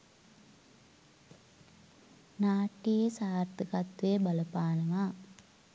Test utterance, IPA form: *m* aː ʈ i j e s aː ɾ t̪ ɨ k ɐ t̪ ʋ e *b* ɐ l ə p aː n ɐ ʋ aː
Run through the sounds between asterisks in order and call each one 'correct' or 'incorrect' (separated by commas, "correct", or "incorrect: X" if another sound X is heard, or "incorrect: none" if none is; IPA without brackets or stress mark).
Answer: incorrect: n, correct